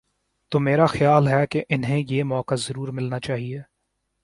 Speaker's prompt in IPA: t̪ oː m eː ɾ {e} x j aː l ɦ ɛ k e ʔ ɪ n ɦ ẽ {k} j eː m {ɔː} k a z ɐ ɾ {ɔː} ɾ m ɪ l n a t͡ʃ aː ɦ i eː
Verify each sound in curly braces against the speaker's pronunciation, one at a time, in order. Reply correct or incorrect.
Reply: incorrect, incorrect, correct, incorrect

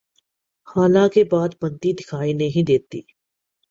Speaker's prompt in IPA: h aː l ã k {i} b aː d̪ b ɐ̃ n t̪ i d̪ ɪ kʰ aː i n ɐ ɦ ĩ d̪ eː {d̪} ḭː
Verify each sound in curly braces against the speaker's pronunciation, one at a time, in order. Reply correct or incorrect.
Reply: incorrect, incorrect

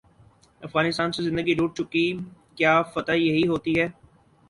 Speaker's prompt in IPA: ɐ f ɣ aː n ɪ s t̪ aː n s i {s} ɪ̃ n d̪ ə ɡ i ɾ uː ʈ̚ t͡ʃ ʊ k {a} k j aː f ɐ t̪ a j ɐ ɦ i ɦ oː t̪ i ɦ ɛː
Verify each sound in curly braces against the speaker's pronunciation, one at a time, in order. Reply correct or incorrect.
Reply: incorrect, incorrect

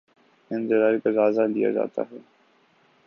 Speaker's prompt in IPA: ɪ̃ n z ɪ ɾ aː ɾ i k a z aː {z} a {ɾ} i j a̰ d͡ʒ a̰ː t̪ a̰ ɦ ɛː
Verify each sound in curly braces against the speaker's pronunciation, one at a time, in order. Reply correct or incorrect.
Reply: correct, incorrect

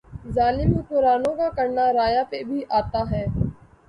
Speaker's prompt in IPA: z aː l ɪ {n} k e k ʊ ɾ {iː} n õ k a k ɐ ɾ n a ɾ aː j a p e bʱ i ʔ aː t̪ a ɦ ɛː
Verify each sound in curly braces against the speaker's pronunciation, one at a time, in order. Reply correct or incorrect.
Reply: incorrect, incorrect

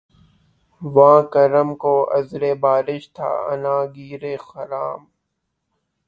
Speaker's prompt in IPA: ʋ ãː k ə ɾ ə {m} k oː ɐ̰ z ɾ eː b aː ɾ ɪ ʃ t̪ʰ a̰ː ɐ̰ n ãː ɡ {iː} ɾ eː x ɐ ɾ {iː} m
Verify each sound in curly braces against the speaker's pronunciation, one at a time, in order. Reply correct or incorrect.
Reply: correct, correct, incorrect

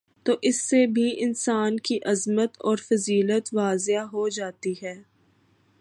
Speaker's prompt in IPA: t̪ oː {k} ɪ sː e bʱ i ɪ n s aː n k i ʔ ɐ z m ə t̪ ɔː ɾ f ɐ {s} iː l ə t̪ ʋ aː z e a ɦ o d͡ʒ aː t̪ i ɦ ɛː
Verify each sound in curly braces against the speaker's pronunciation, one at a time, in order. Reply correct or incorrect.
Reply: incorrect, incorrect

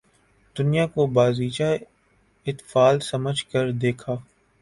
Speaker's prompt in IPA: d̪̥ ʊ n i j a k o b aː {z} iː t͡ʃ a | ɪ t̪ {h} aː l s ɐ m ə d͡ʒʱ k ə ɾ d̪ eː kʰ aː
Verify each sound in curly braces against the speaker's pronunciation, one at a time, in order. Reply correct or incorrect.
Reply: correct, incorrect

